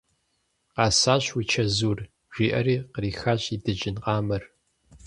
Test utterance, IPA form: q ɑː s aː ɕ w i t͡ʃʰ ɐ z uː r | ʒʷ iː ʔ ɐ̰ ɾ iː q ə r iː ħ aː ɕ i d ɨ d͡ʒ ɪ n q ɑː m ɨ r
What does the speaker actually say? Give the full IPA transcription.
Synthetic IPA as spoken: q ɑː s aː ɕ w i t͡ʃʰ ɐ z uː r | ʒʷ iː ʔ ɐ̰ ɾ iː q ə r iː x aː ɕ i d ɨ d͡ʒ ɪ n q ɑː m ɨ r